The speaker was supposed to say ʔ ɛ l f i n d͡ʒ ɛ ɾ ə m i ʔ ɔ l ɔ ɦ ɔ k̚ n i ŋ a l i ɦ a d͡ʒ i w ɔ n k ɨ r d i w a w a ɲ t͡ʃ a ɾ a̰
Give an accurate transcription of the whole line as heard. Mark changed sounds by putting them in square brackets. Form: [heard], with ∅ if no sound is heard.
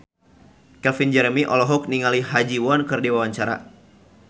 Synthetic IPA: [k] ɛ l f i n d͡ʒ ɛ ɾ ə m i ʔ ɔ l ɔ ɦ ɔ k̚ n i ŋ a l i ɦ a d͡ʒ i w ɔ n k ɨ r d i w a w a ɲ t͡ʃ a ɾ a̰